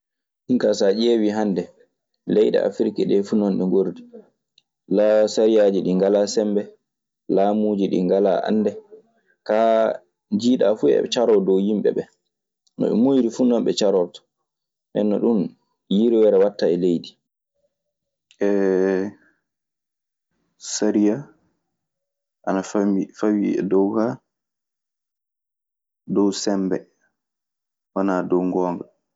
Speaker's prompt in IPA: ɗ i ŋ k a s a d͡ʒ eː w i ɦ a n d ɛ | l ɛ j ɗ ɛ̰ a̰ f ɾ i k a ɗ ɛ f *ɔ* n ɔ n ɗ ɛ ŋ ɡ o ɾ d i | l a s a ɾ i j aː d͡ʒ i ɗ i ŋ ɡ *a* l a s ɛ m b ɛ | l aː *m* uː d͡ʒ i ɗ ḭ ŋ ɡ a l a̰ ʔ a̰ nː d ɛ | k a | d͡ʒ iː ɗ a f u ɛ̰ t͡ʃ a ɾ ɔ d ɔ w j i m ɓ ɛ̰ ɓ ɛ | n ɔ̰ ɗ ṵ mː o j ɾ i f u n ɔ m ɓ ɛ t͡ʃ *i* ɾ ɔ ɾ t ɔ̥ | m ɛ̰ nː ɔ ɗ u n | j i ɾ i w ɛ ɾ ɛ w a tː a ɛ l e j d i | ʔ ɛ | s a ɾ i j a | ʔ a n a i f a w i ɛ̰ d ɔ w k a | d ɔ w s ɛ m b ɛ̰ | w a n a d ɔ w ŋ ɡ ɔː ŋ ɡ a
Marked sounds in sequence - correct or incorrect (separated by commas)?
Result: incorrect, correct, correct, incorrect